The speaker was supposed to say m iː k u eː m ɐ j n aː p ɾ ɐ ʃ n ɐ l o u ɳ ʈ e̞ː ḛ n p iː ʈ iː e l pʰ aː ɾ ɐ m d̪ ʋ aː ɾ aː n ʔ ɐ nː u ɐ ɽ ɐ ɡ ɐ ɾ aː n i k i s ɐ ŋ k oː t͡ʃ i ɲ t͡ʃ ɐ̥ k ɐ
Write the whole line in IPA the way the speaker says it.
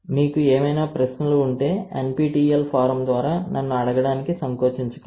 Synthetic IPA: m iː k u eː m ɐ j n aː p ɾ ɐ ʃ n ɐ l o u ɳ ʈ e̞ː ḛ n p iː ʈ iː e l pʰ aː ɾ ɐ m d̪ ʋ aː ɾ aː n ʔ ɐ nː u ɐ ɽ ɐ ɡ ɐ ɽ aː n i k i s ɐ ŋ k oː t͡ʃ i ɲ t͡ʃ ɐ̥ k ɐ